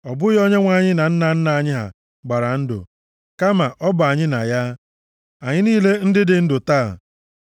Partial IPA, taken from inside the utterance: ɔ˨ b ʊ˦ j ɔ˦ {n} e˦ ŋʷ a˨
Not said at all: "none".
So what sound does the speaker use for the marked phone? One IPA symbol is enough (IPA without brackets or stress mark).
ɲ